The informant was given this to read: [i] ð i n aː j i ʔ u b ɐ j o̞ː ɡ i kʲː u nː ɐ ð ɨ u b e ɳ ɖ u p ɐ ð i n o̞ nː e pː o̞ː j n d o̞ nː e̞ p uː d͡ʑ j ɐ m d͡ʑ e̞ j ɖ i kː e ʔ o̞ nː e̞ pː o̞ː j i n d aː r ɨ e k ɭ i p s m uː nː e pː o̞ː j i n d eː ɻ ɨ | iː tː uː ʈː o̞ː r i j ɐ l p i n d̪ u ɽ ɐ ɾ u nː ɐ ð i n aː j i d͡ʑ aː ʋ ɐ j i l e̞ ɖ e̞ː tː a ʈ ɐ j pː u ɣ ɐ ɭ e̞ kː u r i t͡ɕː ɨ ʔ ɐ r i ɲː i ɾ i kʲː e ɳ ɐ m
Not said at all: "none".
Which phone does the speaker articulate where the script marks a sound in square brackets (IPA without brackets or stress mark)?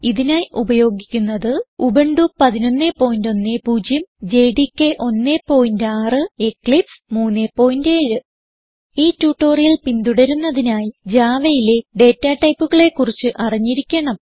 i